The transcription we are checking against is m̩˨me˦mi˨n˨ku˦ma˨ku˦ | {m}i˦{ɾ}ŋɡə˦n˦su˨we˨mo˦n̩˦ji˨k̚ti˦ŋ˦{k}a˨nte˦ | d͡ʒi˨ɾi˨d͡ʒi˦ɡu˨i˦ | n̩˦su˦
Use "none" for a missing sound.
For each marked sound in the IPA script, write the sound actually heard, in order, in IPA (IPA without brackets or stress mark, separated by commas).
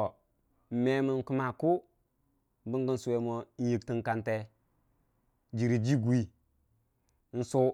b, none, k